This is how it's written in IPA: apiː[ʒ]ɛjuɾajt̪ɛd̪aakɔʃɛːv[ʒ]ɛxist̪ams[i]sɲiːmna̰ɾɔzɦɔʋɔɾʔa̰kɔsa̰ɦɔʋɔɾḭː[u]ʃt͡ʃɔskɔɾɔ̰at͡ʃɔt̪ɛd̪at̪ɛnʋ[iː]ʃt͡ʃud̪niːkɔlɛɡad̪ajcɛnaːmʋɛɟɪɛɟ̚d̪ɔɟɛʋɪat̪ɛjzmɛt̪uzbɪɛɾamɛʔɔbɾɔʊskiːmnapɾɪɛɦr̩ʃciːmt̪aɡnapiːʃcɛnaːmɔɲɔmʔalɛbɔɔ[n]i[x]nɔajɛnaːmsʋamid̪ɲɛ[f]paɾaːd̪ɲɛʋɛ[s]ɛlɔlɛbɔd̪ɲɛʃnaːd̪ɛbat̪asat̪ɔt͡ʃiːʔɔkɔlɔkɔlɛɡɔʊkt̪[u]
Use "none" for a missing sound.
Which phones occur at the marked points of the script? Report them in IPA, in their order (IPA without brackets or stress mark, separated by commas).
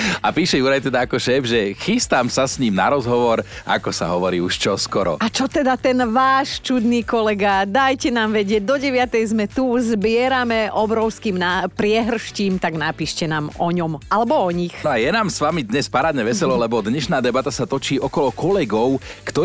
ʃ, ʒ, a, u, aː, ɲ, x, s, s, ɔ